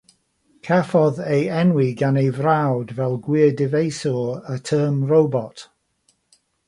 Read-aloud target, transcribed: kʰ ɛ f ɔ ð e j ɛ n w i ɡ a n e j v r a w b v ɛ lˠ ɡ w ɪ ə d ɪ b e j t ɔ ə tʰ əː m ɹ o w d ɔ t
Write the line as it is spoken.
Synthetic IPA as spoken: kʰ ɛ f ɔ ð e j ɛ n w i ɡ a n e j v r a w d v ɛ lˠ ɡ w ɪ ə d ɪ v e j s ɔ ə tʰ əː m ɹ o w b ɔ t